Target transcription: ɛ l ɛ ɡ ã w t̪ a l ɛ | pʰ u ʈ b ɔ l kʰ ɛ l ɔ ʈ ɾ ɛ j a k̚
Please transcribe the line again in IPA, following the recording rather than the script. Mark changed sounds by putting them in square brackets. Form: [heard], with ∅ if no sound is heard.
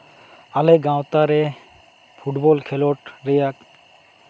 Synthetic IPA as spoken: [a] l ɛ ɡ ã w t̪ a [ɾ] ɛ | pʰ u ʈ b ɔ l kʰ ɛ l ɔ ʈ ɾ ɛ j a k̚

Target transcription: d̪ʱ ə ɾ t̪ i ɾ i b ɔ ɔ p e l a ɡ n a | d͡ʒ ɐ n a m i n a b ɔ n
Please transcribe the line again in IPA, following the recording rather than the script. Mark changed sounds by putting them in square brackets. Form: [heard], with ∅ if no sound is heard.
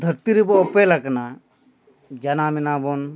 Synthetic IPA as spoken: d̪ʱ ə ɾ t̪ i ɾ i b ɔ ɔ p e l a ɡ n a | d͡ʒ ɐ n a m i n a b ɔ n

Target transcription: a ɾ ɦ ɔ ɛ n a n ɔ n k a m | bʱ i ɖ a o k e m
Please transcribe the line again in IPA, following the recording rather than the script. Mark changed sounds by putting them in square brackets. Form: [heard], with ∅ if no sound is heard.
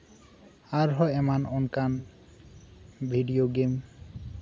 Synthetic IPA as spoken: a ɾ ɦ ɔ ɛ [m] a n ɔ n k a [n] | bʱ i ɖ [i] o [ɡ] e m

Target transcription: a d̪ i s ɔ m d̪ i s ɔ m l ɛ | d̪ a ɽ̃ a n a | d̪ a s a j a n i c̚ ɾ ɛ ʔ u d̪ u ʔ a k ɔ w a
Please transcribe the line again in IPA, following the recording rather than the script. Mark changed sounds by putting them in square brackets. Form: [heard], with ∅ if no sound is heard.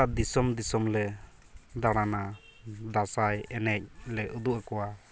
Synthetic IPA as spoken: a d̪ i s ɔ m d̪ i s ɔ m l ɛ | d̪ a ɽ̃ a n a | d̪ a s a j [ɛ] n [ɛ] c̚ [l] ɛ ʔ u d̪ u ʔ a k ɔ w a

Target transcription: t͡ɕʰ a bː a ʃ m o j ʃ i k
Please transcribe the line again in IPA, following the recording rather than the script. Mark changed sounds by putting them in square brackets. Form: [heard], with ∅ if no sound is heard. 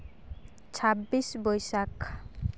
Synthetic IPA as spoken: t͡ɕʰ a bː [i] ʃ [b] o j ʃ [a] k

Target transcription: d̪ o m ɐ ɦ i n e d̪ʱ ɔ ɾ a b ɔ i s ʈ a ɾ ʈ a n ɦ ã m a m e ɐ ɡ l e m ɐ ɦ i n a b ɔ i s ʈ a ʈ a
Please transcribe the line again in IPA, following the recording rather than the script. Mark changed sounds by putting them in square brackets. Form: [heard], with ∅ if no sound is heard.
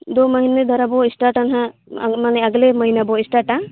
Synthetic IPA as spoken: d̪ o m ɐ ɦ i n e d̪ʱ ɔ ɾ a b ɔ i s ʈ a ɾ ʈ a n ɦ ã m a [n] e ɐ ɡ l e m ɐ ɦ i n a b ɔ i s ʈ a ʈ a

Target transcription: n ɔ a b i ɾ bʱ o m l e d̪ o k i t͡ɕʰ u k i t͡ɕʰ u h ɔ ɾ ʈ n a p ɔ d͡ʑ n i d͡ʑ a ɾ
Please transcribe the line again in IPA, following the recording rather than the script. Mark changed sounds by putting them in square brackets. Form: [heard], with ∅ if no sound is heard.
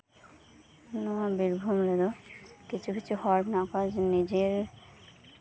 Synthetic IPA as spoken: n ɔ a b i ɾ bʱ [u] m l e d̪ o k i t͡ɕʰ u k i t͡ɕʰ u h ɔ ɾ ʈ n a [k] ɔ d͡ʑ n i d͡ʑ [e] ɾ

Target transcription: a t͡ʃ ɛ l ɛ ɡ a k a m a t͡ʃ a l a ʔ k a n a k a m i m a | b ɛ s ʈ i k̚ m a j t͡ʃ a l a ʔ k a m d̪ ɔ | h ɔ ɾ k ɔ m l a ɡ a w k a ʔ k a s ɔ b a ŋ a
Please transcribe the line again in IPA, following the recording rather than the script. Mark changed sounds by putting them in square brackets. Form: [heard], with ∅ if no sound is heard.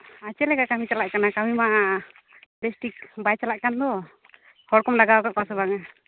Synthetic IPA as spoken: a t͡ʃ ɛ l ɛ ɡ a k a m [i] t͡ʃ a l a ʔ k a n a k a m i m a | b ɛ s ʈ i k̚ [b] a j t͡ʃ a l a ʔ k a [n] d̪ ɔ | h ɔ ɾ k ɔ m l a ɡ a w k a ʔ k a s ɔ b a ŋ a

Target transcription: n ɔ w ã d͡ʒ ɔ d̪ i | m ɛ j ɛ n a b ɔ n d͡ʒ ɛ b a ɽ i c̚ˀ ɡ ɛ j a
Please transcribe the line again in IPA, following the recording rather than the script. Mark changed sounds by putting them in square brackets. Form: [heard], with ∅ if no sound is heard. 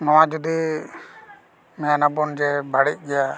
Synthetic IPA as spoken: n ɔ w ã d͡ʒ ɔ d̪ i | m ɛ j [a] n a b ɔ n d͡ʒ ɛ b a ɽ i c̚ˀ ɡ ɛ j a

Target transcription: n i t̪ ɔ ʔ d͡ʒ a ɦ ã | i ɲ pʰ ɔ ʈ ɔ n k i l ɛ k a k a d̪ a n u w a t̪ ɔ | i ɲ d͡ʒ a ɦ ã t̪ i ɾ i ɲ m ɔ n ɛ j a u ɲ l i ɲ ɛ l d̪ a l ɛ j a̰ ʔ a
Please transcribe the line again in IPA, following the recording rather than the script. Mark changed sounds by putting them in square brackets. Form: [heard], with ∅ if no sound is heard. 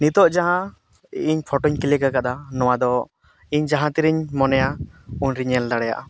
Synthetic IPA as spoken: n i t̪ ɔ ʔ d͡ʒ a ɦ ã | i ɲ pʰ ɔ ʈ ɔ [ɲ] k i l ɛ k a k a d̪ a n [ɔ] w a [d̪] ɔ | i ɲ d͡ʒ a ɦ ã t̪ i ɾ i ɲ m ɔ n ɛ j a u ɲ [ɾ] i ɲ ɛ l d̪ a [ɽ] ɛ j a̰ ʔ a

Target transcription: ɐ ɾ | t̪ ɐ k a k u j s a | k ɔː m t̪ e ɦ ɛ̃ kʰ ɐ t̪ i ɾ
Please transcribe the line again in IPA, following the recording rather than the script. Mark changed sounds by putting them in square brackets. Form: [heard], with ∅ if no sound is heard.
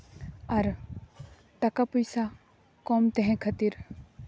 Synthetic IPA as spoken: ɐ ɾ | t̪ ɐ k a [p] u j s a | k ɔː m t̪ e ɦ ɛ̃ kʰ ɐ t̪ i ɾ

